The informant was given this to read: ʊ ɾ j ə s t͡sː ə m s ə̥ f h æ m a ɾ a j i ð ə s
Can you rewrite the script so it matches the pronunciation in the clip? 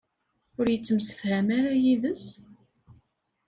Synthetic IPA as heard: ʊ ɾ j ə t͡sː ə m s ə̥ f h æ m a ɾ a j i ð ə s

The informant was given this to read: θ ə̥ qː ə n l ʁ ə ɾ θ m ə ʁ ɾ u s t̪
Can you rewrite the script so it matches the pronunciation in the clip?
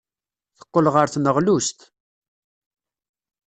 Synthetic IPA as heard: θ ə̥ qː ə l ʁ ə ɾ θ n ə ʁ l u s t̪

